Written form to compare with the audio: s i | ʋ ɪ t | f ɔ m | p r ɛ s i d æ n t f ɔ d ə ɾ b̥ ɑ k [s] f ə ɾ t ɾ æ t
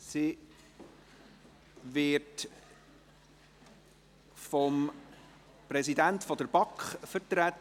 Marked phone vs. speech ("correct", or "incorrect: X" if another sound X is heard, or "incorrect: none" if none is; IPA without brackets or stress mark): incorrect: χ